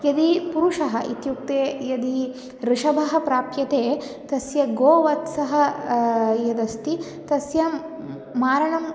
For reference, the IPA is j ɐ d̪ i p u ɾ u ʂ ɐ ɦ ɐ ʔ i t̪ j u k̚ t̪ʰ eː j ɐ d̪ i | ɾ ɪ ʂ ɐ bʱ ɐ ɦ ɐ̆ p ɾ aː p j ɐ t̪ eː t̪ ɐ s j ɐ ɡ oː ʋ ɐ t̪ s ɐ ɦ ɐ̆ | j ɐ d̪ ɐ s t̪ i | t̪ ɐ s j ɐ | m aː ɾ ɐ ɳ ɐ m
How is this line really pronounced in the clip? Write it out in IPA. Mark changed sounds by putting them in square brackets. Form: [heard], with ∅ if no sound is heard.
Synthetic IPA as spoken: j ɐ d̪ i p u ɾ u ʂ ɐ ɦ ɐ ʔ i t̪ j u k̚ [t̪] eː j ɐ d̪ i | ɾ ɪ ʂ ɐ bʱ ɐ ɦ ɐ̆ p ɾ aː p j ɐ t̪ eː t̪ ɐ s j ɐ ɡ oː ʋ ɐ t̪ s ɐ ɦ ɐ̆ | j ɐ d̪ ɐ s t̪ i | t̪ ɐ s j ɐ | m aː ɾ ɐ ɳ ɐ m